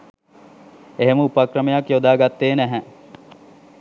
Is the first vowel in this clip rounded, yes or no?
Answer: no